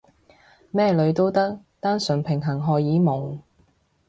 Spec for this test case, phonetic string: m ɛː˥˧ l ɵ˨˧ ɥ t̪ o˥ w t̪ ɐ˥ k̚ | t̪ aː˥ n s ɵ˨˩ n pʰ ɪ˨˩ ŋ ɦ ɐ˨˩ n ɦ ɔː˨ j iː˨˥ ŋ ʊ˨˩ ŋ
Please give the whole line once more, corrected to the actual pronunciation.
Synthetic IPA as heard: m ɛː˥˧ l ɵ˨˧ ɥ t̪ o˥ w t̪ ɐ˥ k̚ | t̪ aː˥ n s ɵ˨˩ n pʰ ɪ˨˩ ŋ ɦ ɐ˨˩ ŋ ɦ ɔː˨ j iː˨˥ m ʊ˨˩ ŋ

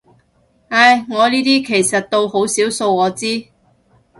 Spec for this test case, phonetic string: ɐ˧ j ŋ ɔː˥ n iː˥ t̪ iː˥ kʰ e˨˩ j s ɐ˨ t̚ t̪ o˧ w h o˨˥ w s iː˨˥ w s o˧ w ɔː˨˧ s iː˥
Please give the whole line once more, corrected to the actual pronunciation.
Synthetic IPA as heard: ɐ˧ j ŋ ɔː˨˧ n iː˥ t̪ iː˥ kʰ e˨˩ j s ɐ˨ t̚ t̪ o˧ w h o˨˥ w s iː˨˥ w s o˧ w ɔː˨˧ t͡s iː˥

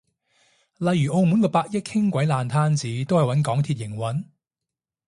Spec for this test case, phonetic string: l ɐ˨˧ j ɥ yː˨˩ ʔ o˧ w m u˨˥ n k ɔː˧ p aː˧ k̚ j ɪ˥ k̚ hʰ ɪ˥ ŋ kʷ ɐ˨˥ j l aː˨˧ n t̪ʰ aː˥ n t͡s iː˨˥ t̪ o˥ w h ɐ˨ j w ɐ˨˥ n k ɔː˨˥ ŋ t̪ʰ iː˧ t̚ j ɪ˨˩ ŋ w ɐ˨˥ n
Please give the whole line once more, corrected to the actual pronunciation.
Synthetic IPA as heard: l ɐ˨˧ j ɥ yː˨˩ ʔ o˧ w m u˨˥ n k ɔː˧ p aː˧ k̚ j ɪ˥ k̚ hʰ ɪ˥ ŋ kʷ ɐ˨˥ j l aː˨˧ n t̪ʰ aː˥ n t͡s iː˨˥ t̪ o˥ w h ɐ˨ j w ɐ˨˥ n k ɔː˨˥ ŋ t̪ʰ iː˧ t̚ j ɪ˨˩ ŋ w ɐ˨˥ n

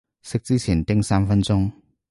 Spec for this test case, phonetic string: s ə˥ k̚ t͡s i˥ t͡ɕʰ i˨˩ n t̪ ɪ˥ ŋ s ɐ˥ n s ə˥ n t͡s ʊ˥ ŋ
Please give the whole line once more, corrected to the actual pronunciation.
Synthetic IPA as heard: s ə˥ k̚ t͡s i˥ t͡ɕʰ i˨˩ n t̪ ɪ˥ ŋ s a˥ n f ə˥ n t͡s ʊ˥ ŋ

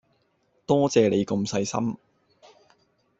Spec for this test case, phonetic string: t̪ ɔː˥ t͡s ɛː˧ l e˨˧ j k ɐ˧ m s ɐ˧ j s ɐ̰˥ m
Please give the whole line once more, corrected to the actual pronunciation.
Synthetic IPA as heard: t̪ ɔː˥ t͡s ɛː˧ l e˨˧ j k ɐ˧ m s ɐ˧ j s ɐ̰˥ m

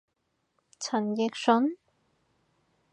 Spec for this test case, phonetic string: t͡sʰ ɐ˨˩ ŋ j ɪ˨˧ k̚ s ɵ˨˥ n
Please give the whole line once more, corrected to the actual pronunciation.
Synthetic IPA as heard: t͡sʰ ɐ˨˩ n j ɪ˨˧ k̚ s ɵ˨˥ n

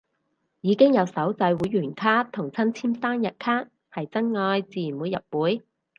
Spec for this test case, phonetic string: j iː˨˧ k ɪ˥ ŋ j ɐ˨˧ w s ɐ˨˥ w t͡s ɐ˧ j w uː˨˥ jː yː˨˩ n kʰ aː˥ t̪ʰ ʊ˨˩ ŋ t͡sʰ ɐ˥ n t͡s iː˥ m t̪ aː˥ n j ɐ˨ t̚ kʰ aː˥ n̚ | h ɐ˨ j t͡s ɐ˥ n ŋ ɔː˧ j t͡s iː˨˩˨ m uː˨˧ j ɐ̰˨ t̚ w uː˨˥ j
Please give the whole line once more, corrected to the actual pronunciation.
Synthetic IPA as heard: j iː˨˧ k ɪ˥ ŋ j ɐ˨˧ w s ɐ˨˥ w t͡s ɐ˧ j w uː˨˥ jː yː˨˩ n kʰ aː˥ t̪ʰ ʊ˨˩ ŋ t͡sʰ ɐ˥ n t͡sʰ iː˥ m t̪ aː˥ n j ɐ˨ t̚ kʰ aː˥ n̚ | h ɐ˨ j t͡s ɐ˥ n ŋ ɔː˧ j t͡s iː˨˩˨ m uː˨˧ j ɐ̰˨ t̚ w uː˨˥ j

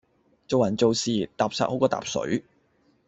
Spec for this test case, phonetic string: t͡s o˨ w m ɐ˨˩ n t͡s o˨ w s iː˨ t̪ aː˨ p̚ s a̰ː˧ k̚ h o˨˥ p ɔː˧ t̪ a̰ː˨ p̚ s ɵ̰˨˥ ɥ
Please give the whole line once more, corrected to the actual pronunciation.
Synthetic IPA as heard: t͡s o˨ w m ɐ˨˩ n t͡s o˨ w s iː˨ t̪ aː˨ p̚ s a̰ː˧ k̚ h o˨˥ k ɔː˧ t̪ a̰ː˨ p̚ s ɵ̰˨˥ ɥ

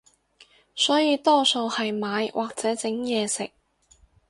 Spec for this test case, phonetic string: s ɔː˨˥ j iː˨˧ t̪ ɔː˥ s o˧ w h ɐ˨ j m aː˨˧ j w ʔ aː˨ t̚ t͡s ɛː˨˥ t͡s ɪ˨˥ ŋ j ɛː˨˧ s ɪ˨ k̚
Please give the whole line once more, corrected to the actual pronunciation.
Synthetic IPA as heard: s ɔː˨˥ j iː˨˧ t̪ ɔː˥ s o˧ w h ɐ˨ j m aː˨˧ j w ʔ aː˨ k̚ t͡s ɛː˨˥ t͡s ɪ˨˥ ŋ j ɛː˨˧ s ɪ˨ k̚

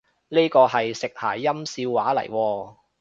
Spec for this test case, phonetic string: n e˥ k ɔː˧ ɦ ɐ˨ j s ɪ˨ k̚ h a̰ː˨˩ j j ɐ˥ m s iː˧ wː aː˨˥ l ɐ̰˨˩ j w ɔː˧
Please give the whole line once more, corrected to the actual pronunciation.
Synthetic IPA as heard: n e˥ k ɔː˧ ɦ ɐ˨ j s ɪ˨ k̚ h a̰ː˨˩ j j ɐ˥ m s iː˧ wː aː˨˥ l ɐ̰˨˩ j w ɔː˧

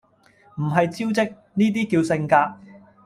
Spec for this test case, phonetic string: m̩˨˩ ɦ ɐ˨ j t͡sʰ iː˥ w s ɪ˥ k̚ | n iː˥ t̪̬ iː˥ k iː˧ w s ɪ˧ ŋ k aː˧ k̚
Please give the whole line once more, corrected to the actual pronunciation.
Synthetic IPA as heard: m̩˨˩ ɦ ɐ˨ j t͡s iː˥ w t͡s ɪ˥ k̚ | n iː˥ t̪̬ iː˥ k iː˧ w s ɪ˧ ŋ k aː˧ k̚

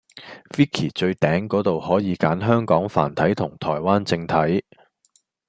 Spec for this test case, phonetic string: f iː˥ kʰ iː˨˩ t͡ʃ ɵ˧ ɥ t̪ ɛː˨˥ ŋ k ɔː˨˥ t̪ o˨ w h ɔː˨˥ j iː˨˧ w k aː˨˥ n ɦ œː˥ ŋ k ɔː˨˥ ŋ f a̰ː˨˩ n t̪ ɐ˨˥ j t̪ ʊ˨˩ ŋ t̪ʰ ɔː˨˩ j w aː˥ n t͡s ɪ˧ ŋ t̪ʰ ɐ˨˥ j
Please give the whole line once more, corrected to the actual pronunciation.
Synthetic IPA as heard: f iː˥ kʰ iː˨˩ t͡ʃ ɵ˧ ɥ t̪ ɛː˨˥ ŋ k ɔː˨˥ t̪ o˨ w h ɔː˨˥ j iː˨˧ k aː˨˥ n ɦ œː˥ ŋ k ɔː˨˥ ŋ f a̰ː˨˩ n t̪ʰ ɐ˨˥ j t̪ʰ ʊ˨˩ ŋ t̪ʰ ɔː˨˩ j w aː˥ n t͡s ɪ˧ ŋ t̪ʰ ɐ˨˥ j

